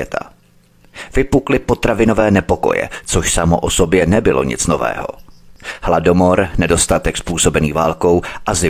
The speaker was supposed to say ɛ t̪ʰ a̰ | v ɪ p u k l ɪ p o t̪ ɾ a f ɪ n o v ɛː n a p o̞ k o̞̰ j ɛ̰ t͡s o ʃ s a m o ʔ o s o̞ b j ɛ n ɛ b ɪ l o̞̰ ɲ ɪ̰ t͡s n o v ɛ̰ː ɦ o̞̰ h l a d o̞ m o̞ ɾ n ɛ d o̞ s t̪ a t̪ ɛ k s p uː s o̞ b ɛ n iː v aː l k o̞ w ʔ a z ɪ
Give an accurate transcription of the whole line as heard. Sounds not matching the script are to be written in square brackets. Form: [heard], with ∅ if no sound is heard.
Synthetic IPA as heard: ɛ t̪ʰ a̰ | v ɪ p u k l ɪ p o t̪ ɾ a [v] ɪ n o v ɛː n [ɛ] p o̞ k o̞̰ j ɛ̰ t͡s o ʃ s a m o ʔ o s o̞ b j ɛ n ɛ b ɪ l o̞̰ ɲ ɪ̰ t͡s n o v ɛ̰ː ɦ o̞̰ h l a d o̞ m o̞ ɾ n ɛ d o̞ s t̪ a t̪ ɛ k s p uː s o̞ b ɛ n iː v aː l k o̞ w ʔ a z ɪ